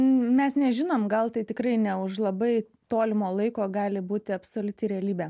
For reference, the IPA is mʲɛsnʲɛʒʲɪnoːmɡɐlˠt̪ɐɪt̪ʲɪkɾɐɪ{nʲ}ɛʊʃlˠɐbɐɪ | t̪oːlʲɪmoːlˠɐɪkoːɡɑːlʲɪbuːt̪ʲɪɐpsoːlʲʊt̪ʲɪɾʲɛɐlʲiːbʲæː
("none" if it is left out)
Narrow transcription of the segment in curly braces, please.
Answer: nʲ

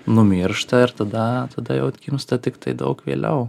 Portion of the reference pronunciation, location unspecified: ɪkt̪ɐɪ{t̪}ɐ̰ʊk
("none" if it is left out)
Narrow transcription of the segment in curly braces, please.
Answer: d̪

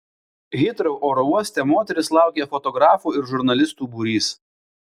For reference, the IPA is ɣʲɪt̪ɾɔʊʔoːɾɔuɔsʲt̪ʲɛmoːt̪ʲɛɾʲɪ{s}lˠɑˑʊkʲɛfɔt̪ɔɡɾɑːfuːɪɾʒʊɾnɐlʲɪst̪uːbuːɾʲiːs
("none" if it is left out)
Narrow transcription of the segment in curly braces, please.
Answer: s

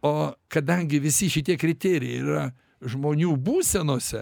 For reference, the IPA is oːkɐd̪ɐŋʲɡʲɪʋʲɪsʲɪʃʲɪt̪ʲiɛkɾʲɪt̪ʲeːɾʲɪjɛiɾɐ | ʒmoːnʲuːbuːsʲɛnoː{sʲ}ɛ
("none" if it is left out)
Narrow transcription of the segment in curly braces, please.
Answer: sʲ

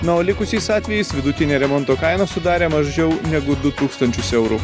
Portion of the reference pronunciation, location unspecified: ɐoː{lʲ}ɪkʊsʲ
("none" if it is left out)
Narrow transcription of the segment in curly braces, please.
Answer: lʲ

